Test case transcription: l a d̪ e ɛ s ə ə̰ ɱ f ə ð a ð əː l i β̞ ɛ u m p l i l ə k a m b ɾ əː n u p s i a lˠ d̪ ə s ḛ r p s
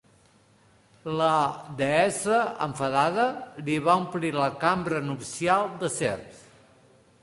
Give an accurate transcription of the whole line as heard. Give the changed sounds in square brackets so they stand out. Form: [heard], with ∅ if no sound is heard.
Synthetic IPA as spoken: l [ə] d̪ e ɛ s ə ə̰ ɱ f ə ð a ð [ə] l i β̞ [a] u m p l i l ə k a m b ɾ [ə] n u p s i a lˠ d̪ ə s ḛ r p s

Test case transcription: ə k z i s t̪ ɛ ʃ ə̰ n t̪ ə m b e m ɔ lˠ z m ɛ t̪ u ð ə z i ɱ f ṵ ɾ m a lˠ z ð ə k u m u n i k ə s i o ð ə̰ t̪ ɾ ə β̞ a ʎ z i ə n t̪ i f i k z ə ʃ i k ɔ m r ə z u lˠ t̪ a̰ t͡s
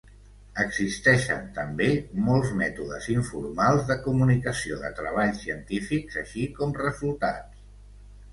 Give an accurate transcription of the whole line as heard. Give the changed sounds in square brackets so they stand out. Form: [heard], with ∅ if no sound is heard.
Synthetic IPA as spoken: ə [ɡ] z i s t̪ ɛ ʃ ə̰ n t̪ ə m b e m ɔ lˠ z m ɛ t̪ u ð ə z i ɱ f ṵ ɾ m a lˠ z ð ə k u m u n i k ə s i o ð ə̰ t̪ ɾ ə β̞ a ʎ [s] i ə n t̪ i f i k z ə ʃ i k ɔ m r ə z u lˠ t̪ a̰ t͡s

